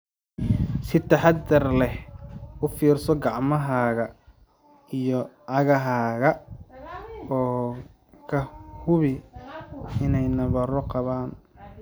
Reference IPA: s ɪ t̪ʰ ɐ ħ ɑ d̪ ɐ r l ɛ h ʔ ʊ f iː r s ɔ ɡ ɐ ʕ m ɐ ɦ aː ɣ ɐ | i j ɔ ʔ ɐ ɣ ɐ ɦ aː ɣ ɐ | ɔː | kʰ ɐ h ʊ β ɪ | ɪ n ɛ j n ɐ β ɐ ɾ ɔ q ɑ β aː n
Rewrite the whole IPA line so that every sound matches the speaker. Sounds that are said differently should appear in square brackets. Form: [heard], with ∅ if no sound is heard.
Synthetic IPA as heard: s ɪ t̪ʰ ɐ ħ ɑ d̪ ɐ r l ɛ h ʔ ʊ f iː r s ɔ ɡ [ɑ] ʕ m ɐ ɦ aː ɣ ɐ | i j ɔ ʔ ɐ ɣ ɐ ɦ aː ɣ ɐ | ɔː | kʰ ɐ h ʊ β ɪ | ɪ n ɛ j n ɐ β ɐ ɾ ɔ q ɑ β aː n

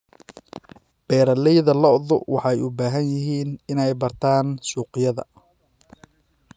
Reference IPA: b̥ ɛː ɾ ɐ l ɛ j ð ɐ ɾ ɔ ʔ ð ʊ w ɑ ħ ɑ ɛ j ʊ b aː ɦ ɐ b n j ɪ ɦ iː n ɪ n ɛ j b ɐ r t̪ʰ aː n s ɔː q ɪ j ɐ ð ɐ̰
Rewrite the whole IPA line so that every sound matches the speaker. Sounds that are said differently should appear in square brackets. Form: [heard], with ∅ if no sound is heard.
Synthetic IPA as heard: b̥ ɛː ɾ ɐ l ɛ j ð ɐ [l] ɔ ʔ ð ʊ w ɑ ħ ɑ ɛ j ʊ b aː ɦ ɐ [∅] n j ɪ ɦ iː n ɪ n ɛ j b ɐ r t̪ʰ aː n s [uː] q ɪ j ɐ ð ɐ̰

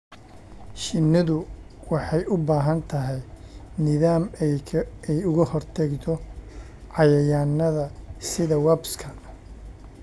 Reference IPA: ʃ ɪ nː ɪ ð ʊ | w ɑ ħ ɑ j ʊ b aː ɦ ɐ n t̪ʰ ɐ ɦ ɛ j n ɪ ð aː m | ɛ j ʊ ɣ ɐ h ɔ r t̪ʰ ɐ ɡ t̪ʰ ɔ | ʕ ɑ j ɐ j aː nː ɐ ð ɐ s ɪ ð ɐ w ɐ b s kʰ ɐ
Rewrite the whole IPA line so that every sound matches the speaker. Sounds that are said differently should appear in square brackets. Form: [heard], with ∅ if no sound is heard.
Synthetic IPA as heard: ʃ ɪ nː ɪ ð ʊ | w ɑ ħ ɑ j ʊ b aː ɦ ɐ n t̪ʰ ɐ ɦ ɛ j n ɪ ð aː m | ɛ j ʊ ɣ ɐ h ɔ r t̪ʰ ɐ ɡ t̪ʰ ɔ | ʕ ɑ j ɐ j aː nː ɐ ð ɐ s ɪ ð ɐ w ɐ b s kʰ ɐ

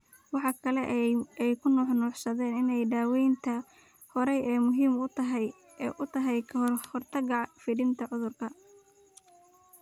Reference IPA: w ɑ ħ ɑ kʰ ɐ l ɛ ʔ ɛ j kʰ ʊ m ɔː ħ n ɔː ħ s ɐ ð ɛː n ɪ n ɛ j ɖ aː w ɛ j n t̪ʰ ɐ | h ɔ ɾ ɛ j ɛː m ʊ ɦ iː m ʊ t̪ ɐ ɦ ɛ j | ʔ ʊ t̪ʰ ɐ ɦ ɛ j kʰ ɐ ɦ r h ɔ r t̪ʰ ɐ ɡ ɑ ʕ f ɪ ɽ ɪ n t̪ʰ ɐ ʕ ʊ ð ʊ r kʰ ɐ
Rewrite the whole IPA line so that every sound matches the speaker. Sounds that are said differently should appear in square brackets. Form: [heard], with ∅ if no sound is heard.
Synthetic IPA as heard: w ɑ ħ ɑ kʰ ɐ l ɛ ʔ ɛ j kʰ ʊ [n] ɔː ħ n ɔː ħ s ɐ ð ɛː n ɪ n ɛ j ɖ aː w ɛ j n t̪ʰ ɐ | h ɔ ɾ ɛ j ɛː m ʊ ɦ iː m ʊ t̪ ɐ ɦ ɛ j | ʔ ʊ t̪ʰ ɐ ɦ ɛ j kʰ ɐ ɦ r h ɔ r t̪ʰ ɐ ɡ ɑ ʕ f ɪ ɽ ɪ n t̪ʰ ɐ ʕ ʊ ð ʊ r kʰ ɐ

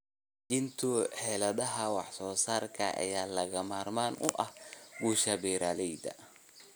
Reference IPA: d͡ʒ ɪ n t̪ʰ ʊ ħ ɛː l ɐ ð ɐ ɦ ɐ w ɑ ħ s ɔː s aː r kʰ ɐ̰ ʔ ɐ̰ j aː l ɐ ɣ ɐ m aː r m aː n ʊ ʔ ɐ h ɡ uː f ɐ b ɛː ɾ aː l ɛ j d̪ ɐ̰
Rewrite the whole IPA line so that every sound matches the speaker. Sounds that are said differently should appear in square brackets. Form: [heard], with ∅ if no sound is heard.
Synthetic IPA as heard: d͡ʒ ɪ n t̪ʰ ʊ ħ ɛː l ɐ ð ɐ ɦ ɐ w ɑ ħ s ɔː s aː r kʰ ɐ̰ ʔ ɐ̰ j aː l ɐ ɣ ɐ m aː r m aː n ʊ ʔ ɐ h ɡ uː [ʃ] ɐ b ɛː ɾ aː l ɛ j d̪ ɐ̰

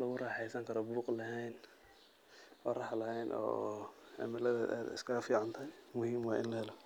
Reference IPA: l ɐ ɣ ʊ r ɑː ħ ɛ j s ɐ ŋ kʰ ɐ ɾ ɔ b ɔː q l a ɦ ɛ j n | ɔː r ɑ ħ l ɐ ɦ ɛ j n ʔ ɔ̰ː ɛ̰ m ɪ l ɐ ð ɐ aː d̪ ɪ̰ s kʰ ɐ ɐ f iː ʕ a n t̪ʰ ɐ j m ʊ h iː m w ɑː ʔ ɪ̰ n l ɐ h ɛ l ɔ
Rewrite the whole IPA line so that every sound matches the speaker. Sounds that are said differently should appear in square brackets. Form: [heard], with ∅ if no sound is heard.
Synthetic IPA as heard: l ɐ ɣ ʊ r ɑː ħ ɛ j s ɐ ŋ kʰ ɐ ɾ ɔ b [uː] q l [ɐ] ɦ ɛ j n | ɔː r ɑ ħ l ɐ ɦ ɛ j n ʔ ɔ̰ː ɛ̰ m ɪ l ɐ ð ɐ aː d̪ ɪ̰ s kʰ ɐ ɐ f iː ʕ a n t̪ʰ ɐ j m ʊ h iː m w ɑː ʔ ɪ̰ n l ɐ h ɛ l ɔ

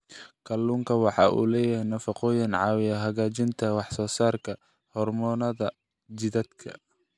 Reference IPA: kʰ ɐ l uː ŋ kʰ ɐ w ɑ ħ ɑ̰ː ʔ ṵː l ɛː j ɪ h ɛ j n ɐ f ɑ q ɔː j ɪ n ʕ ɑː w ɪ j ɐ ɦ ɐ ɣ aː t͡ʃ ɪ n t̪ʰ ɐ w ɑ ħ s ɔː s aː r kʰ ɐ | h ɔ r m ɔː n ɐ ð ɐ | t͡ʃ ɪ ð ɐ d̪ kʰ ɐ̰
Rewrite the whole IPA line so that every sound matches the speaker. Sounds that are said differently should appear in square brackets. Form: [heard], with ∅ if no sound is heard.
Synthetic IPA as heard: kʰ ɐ l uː ŋ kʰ ɐ w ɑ ħ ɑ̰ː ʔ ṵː l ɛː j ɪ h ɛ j n ɐ f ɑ q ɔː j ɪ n ʕ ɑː w ɪ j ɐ ɦ ɐ ɣ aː t͡ʃ ɪ n t̪ʰ ɐ w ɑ ħ s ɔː s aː r kʰ ɐ | h ɔ r m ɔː n ɐ ð ɐ | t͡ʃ ɪ ð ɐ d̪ kʰ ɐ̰

